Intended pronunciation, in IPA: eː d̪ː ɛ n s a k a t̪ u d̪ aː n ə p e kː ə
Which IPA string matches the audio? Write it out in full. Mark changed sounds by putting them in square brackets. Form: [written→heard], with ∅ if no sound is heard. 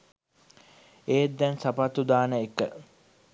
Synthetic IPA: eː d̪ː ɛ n s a [k→p] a t̪ u d̪ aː n ə [p→∅] e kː ə